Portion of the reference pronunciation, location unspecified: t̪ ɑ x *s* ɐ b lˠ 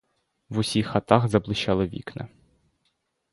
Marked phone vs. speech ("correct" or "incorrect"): incorrect